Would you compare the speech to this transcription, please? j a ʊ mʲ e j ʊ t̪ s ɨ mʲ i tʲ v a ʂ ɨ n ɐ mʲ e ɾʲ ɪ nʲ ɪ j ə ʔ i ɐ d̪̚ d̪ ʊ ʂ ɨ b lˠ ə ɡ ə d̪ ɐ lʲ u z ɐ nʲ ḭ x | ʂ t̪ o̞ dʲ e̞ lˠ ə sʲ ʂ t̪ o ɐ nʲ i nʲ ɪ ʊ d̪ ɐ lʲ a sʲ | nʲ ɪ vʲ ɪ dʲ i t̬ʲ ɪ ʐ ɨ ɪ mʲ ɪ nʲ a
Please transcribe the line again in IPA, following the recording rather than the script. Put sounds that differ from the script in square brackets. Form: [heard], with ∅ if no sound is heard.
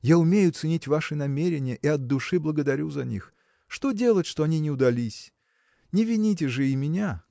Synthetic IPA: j a ʊ mʲ e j ʊ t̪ s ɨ [nʲ] i tʲ v a ʂ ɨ n ɐ mʲ e ɾʲ ɪ nʲ ɪ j ə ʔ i ɐ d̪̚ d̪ ʊ ʂ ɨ b lˠ ə ɡ ə d̪ ɐ [ɾʲ] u z ɐ nʲ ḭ x | ʂ t̪ o̞ dʲ e̞ lˠ ə [tʲ] ʂ t̪ o ɐ nʲ i nʲ ɪ ʊ d̪ ɐ lʲ [i] sʲ | nʲ ɪ vʲ ɪ [nʲ] i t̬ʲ ɪ ʐ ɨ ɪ mʲ ɪ nʲ a